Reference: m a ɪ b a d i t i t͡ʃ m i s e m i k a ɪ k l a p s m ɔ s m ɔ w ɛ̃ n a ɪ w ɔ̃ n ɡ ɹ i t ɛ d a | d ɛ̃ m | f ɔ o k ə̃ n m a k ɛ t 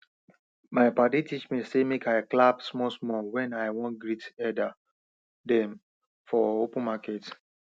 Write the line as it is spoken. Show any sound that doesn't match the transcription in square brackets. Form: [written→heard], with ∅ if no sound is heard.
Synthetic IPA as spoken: m a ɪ [b→p] a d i t i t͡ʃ m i s e m [i→e] k a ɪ k l a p s m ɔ s m ɔ w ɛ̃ n a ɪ w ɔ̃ n ɡ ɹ i t ɛ d a | d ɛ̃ m | f ɔ o [k→p] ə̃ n m a k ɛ t